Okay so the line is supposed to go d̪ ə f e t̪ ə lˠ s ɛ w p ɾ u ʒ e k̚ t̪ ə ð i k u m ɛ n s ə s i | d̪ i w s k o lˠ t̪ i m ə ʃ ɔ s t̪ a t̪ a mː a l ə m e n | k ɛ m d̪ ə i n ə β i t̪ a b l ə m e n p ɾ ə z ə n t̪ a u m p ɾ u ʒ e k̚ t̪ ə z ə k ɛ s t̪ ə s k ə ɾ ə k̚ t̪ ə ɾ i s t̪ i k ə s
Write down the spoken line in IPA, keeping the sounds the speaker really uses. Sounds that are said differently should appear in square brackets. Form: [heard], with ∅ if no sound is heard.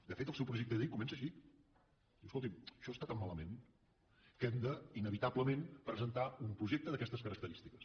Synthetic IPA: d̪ ə f e t̪ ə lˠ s ɛ w p ɾ u ʒ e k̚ t̪ ə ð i k u m ɛ n s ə [ʃ] i | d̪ i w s k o lˠ t̪ i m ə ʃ ɔ s t̪ a t̪ a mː a l ə m e n | k ɛ m d̪ ə i n ə β i t̪ a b l ə m e n p ɾ ə z ə n t̪ a u m p ɾ u ʒ e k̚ t̪ ə [ð] ə k ɛ s t̪ ə s k ə ɾ ə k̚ t̪ ə ɾ i s t̪ i k ə s

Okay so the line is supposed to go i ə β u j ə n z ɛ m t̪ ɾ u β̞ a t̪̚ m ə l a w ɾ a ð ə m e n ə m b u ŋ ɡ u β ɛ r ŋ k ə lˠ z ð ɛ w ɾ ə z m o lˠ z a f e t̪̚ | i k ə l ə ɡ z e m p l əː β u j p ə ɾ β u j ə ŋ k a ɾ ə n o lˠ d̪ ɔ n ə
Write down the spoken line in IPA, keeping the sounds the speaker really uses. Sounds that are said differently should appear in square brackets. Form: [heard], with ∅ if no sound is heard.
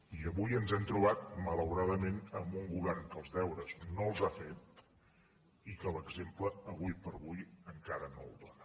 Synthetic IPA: i ə β u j ə n z ɛ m t̪ ɾ u β̞ a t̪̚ m ə l [ə] w ɾ a ð ə m e n ə m b u ŋ ɡ u β ɛ r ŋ k ə lˠ z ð ɛ w ɾ ə z [n] o lˠ z a f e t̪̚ | i k ə l ə ɡ z e m p l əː β u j p ə ɾ β u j ə ŋ k a ɾ ə n o lˠ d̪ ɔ n ə

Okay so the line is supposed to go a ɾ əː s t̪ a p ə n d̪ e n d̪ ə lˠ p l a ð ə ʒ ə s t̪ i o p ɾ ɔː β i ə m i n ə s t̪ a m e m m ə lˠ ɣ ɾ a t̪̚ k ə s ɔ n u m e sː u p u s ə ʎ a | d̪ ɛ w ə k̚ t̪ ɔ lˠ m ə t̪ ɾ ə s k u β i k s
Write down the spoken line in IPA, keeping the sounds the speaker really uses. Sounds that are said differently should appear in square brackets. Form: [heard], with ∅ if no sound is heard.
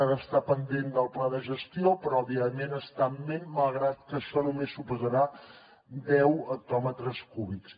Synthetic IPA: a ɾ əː s t̪ a p ə n d̪ e n d̪ ə lˠ p l a ð ə ʒ ə s t̪ i o p ɾ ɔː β i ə m [e] n ə s t̪ a m e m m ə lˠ ɣ ɾ a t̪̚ k ə [ʃ] ɔ n u m e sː u p u [z] ə [ɾ] a | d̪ ɛ w ə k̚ t̪ ɔ [∅] m ə t̪ ɾ ə s k u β i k s

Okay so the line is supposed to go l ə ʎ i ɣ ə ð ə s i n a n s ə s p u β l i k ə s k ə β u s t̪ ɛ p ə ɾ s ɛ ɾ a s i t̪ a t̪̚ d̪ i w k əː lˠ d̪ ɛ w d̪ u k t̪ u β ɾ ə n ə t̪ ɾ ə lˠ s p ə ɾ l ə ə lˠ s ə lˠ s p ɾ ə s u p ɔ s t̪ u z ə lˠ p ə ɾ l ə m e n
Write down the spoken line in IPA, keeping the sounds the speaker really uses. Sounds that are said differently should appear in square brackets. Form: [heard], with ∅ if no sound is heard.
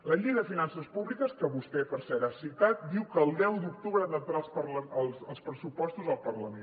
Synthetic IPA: l ə ʎ i ɣ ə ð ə [f] i n a n s ə s p u β l i k ə s k ə β u s t̪ ɛ p ə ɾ s ɛ ɾ a s i t̪ a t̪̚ d̪ i w k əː lˠ d̪ ɛ w d̪ u k t̪ u β ɾ ə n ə t̪ ɾ [a] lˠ s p ə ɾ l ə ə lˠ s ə lˠ s p ɾ ə s u p ɔ s t̪ u z ə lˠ p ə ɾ l ə m e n

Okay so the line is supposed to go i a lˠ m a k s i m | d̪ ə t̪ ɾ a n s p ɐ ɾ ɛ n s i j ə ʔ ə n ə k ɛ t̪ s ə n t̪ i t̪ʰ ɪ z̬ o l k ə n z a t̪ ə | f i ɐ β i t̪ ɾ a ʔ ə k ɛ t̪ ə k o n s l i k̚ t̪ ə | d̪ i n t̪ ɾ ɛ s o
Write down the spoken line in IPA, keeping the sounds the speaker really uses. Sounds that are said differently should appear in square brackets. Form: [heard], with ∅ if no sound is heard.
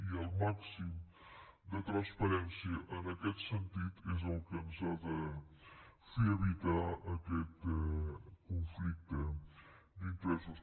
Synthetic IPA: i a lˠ m a k s i m | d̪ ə t̪ ɾ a n s p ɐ ɾ ɛ n s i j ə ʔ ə n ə k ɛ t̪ s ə n t̪ i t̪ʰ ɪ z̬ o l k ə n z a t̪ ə | f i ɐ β i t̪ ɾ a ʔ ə k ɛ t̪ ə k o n [f] l i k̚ t̪ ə | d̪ i n t̪ ɾ ɛ s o

